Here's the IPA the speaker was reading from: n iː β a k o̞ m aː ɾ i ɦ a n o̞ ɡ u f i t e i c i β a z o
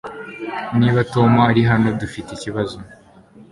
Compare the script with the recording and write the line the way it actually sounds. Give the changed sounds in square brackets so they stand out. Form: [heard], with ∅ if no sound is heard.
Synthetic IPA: n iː β a [t] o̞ m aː ɾ i ɦ a n o̞ [d] u f i t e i c i β a z o